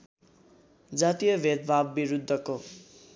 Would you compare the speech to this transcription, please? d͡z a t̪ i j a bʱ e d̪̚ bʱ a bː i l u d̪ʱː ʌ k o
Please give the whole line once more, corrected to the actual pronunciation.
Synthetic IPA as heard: d͡z a t̪ i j ʌ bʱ e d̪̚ bʱ a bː i ɾ u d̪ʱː ʌ k o